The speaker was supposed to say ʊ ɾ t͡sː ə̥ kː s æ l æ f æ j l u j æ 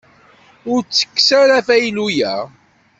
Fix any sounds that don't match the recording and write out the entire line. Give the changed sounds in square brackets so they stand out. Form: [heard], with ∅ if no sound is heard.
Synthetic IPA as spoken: ʊ ɾ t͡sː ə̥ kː s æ [ɾ] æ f æ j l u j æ